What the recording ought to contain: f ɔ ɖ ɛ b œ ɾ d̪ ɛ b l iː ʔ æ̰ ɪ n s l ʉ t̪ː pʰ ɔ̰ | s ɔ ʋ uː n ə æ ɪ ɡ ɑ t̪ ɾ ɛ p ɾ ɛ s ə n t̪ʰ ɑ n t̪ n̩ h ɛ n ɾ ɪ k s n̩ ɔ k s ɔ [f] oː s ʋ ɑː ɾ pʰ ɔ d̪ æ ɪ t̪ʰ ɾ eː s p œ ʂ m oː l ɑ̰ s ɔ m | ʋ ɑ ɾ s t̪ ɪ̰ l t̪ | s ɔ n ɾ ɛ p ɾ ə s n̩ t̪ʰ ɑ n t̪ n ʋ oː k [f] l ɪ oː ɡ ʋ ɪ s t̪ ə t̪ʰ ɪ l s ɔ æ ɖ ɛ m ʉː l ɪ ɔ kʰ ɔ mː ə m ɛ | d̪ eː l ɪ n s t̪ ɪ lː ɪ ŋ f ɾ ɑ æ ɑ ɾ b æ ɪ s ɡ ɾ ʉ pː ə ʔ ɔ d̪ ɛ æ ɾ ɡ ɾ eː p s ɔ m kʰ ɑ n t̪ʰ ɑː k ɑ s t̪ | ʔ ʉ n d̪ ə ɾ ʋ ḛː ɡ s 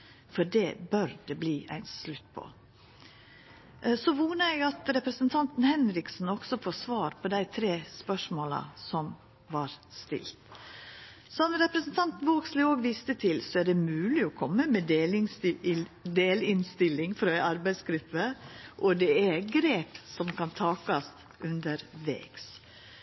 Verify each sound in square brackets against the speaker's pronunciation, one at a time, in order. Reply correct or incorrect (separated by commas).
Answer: correct, incorrect